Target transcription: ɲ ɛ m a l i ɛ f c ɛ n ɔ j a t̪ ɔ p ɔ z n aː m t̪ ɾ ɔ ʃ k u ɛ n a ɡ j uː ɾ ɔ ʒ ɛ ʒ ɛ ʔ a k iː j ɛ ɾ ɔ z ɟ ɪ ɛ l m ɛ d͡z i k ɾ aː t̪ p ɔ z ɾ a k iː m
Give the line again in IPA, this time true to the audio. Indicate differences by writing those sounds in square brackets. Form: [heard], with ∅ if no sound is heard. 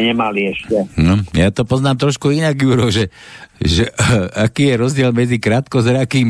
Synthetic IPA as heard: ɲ ɛ m a l i ɛ [ʃ] c ɛ n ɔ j a t̪ ɔ p ɔ z n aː m t̪ ɾ ɔ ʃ k u [i] n a ɡ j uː ɾ ɔ ʒ ɛ ʒ ɛ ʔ a k iː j ɛ ɾ ɔ z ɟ ɪ ɛ l m ɛ d͡z i k ɾ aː t̪ [k] ɔ z ɾ a k iː m